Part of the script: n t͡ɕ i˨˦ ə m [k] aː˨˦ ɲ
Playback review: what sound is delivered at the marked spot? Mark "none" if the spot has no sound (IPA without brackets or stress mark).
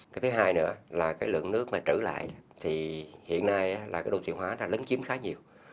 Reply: x